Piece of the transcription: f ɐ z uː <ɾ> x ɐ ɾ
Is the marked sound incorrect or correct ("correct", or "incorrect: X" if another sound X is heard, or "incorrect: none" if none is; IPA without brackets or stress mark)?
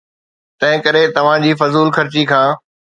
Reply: incorrect: l